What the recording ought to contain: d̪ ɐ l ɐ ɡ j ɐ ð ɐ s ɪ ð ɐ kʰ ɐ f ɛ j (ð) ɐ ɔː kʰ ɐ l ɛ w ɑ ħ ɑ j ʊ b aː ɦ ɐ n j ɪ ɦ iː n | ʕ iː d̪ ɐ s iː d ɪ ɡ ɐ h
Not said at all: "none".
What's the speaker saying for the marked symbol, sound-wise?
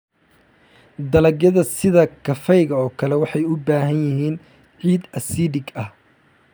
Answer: ɣ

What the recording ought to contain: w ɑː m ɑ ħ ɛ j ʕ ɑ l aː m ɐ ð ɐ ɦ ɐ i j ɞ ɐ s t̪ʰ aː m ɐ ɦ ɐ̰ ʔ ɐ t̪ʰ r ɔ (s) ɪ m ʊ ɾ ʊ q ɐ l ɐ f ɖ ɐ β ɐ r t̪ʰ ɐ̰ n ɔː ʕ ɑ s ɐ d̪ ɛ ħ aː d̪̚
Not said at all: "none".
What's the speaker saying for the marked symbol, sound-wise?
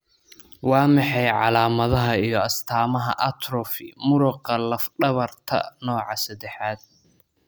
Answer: f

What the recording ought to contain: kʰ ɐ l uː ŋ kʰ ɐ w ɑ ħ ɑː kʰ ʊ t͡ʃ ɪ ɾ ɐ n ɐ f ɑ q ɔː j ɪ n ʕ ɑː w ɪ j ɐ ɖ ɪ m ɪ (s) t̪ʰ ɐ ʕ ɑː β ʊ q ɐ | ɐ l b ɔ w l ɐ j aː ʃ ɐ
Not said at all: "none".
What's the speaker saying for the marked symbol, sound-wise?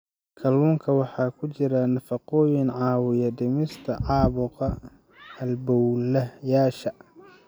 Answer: s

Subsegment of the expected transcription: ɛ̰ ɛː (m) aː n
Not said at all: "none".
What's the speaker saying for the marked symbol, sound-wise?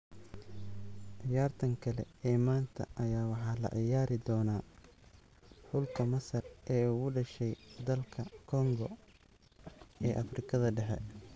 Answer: m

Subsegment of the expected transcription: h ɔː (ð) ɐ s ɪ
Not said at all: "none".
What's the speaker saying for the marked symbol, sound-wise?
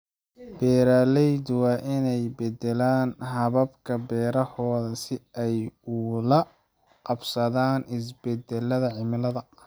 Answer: ð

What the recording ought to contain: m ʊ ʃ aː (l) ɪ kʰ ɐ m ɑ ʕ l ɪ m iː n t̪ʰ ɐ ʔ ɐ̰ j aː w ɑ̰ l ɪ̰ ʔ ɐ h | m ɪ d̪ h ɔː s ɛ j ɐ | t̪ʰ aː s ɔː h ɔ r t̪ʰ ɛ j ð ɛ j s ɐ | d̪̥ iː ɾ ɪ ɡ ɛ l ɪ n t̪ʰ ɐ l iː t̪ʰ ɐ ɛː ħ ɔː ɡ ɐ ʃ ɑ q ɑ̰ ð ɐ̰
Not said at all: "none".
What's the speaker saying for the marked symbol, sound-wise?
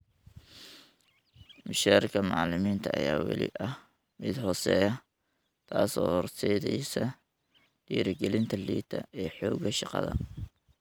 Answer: ɾ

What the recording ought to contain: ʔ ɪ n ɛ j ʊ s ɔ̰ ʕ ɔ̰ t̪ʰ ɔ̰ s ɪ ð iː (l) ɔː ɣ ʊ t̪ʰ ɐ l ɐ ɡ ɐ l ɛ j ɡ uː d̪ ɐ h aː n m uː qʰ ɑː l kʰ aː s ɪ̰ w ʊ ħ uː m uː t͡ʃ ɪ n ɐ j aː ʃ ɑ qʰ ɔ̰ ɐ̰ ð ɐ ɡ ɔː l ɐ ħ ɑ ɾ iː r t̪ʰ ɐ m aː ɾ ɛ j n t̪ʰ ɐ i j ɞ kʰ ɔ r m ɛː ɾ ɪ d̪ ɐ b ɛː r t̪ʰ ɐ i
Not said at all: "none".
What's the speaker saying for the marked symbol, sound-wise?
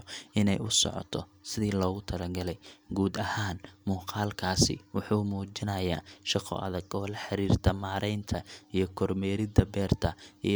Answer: l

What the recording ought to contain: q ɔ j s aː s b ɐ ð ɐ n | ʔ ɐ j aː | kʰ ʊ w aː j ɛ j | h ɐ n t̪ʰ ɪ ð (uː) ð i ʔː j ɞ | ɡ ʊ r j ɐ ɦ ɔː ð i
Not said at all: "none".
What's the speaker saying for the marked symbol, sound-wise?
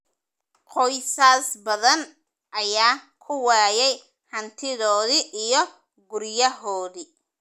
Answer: ɔː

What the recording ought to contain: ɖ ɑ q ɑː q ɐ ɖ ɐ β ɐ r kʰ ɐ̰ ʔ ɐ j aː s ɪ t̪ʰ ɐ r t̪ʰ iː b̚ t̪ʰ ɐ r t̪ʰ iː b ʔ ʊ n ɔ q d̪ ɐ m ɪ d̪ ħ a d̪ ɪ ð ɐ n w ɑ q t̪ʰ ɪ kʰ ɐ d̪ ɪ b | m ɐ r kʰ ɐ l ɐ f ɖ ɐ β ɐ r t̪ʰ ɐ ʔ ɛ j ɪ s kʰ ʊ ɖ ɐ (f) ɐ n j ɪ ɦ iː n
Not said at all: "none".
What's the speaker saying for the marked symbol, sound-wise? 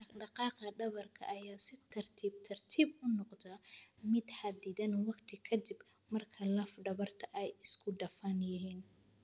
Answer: f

